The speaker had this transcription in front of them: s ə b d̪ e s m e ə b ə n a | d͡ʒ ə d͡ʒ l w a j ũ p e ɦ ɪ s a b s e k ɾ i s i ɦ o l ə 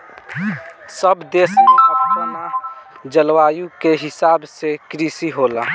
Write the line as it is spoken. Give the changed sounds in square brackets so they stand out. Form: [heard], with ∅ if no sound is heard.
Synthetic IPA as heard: s ə b d̪ e s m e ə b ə n a | d͡ʒ ə [∅] l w a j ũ [k] e ɦ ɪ s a b s e k ɾ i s i ɦ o l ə

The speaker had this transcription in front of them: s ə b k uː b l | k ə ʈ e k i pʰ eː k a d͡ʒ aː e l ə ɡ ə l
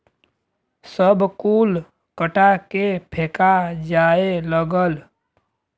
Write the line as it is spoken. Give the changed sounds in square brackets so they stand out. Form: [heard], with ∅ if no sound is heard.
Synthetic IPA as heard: s ə b k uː [∅] l | k ə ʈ [a] k [e] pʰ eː k a d͡ʒ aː e l ə ɡ ə l

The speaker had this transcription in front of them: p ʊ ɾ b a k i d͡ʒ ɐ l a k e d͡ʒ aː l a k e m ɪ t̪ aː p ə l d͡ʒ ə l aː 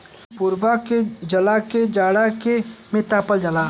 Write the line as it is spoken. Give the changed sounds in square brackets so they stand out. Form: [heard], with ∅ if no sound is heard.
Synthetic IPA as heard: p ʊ ɾ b a k [e] d͡ʒ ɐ l a k e d͡ʒ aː [ɽ] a k e m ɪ t̪ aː p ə l d͡ʒ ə l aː

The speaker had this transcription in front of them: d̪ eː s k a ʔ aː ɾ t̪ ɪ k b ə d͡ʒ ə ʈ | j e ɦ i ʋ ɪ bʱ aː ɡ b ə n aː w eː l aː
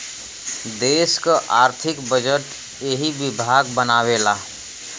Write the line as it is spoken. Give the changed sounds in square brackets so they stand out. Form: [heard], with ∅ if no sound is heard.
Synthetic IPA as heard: d̪ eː s k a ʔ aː ɾ [t̪ʰ] ɪ k b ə d͡ʒ ə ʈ | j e ɦ i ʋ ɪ bʱ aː ɡ b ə n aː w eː l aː

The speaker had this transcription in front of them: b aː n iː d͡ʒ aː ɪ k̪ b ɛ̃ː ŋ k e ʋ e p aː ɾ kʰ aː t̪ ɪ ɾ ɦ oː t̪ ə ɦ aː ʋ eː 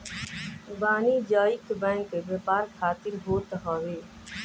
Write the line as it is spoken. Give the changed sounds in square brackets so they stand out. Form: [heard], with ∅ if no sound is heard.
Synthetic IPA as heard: b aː n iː d͡ʒ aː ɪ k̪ b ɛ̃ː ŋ k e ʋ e p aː ɾ kʰ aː t̪ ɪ ɾ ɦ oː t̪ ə ɦ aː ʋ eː

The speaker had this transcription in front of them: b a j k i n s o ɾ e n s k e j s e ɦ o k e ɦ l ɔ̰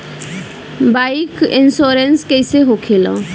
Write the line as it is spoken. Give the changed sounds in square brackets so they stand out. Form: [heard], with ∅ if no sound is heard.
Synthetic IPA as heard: b a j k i n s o ɾ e n s k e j s e ɦ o [kʰ] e [∅] l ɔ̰

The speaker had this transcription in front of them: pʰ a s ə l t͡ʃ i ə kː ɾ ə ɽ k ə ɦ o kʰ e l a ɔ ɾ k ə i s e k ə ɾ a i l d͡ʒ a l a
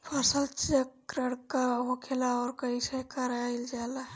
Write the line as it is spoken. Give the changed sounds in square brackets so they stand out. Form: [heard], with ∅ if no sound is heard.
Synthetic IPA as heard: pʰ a s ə l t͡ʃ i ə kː ɾ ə ɽ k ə ɦ o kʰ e l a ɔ ɾ k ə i s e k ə ɾ a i l d͡ʒ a l a

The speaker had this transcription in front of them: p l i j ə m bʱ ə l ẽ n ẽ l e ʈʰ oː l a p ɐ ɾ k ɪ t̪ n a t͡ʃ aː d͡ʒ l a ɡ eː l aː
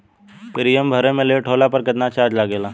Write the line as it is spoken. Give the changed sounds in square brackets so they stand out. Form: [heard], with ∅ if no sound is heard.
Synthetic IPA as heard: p [ɾ] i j ə m bʱ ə [ɾ] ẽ [m] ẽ l e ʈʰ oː l a p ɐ ɾ k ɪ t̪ n a t͡ʃ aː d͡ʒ l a ɡ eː l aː

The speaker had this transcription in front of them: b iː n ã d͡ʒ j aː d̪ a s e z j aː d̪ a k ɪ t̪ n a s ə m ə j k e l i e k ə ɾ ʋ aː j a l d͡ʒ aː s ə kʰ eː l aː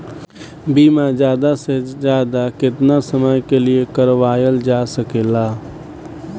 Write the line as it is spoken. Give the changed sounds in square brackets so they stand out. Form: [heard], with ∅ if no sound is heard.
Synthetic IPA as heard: b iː [m] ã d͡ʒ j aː d̪ a s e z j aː d̪ a k ɪ t̪ n a s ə m ə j k e l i e k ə ɾ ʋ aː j [ə] l d͡ʒ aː s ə [k] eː l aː

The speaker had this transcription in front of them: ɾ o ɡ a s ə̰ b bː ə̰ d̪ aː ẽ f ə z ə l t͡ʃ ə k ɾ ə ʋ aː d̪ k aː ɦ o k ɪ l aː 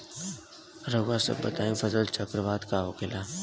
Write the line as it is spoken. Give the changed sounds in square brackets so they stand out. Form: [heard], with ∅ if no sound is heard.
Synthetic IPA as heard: ɾ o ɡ a s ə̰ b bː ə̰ [t̪] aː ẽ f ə z ə l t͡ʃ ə k ɾ ə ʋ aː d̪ k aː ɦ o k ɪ l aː

